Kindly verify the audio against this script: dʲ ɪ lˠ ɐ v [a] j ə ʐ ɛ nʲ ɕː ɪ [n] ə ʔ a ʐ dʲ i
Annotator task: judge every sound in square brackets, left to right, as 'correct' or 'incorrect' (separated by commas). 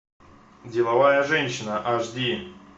correct, correct